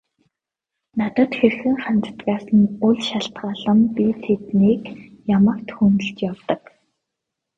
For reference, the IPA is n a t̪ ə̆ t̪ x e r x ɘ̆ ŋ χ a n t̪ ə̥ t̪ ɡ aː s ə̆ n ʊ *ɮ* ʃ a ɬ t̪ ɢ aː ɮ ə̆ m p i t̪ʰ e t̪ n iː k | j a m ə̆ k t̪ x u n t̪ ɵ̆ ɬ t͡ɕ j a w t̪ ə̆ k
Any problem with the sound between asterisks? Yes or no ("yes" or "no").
no